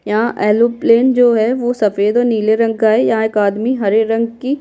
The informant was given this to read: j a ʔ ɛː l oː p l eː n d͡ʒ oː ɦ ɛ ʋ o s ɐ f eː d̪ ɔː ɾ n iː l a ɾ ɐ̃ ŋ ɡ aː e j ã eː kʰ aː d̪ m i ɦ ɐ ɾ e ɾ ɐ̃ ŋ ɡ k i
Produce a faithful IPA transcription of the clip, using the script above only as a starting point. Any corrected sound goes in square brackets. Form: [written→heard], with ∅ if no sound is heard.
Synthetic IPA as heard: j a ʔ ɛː l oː p l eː n d͡ʒ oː ɦ ɛ ʋ o s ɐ f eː d̪ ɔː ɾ n iː l [a→e] ɾ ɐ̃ ŋ ɡ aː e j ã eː [kʰ→k] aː d̪ m i ɦ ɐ ɾ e ɾ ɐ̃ ŋ ɡ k i